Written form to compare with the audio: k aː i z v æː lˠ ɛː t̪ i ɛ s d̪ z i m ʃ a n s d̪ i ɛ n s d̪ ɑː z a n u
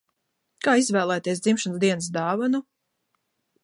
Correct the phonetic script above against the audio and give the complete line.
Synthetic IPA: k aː i z v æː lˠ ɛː t̪ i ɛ s d̪ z i m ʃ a n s d̪ i ɛ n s d̪ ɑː v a n u